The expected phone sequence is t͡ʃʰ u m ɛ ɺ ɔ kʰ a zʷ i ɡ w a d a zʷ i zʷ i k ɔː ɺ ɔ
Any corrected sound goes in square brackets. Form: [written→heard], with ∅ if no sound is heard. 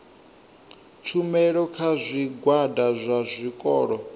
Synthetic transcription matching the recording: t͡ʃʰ u m ɛ ɺ ɔ kʰ a zʷ i ɡ w a d a zʷ [i→a] zʷ i [k→kʼ] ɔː ɺ ɔ